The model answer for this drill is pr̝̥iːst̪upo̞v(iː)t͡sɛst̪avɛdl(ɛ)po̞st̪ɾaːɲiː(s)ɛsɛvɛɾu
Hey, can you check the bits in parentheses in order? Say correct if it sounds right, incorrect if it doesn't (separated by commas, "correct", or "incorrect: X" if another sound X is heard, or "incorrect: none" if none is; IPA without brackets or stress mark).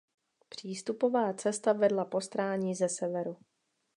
incorrect: aː, incorrect: a, incorrect: z